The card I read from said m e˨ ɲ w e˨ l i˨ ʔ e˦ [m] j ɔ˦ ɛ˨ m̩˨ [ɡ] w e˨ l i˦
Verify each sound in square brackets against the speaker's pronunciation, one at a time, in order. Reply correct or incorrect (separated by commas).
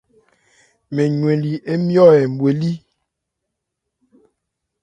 correct, incorrect